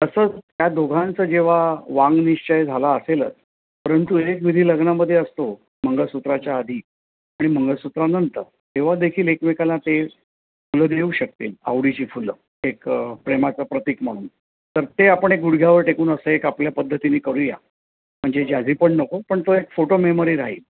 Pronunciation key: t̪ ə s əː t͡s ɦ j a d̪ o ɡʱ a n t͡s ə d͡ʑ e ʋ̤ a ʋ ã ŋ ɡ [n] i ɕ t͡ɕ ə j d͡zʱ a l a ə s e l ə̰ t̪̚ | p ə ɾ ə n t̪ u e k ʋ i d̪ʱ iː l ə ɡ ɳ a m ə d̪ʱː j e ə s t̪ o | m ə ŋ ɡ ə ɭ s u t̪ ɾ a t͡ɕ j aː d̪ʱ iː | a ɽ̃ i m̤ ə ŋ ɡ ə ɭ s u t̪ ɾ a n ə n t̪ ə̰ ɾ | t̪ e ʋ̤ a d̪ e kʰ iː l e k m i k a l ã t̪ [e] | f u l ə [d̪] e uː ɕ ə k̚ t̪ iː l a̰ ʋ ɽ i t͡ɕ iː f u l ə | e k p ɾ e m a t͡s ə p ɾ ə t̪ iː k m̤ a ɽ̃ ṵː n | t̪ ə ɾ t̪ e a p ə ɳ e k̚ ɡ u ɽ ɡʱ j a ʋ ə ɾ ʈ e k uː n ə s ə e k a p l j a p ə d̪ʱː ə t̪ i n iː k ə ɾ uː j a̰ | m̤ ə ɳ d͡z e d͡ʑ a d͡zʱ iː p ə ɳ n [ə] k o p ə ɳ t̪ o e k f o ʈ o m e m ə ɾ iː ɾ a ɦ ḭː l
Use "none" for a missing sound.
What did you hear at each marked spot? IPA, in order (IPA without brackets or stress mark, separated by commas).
n, e, d̪, ə